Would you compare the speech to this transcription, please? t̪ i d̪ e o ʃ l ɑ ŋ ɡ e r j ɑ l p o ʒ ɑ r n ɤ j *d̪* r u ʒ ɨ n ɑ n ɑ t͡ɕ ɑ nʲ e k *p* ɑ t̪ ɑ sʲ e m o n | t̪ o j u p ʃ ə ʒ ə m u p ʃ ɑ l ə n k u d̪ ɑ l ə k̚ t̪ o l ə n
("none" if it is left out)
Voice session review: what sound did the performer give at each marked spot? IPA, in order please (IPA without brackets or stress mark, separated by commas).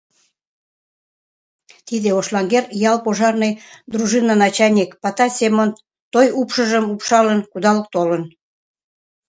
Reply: d̪, p